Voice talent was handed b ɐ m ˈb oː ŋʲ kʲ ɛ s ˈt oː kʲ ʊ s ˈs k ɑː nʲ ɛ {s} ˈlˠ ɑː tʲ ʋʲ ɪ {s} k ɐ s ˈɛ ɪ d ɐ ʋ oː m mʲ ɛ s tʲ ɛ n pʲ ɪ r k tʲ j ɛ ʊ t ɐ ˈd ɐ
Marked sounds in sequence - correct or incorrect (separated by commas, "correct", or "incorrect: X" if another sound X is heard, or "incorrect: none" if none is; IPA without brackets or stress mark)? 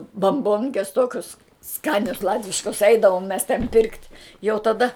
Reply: correct, incorrect: ʃ